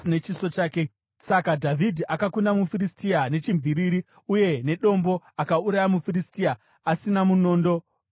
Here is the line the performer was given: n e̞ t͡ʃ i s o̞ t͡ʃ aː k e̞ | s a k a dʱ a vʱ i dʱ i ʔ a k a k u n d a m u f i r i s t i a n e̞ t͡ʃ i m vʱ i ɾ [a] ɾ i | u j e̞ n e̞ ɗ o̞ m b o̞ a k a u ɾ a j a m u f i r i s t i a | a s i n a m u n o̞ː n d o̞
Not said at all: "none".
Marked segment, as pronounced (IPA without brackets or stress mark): i